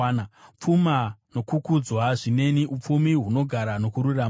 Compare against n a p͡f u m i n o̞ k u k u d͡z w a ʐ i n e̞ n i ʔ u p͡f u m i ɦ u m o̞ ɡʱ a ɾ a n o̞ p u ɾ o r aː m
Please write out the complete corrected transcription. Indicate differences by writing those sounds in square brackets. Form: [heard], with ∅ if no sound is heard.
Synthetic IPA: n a p͡f u m [a] n o̞ k u k u d͡z w a ʐ i n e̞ n i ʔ u p͡f u m i ɦ u [n] o̞ ɡʱ a ɾ a n o̞ [k] u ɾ [u] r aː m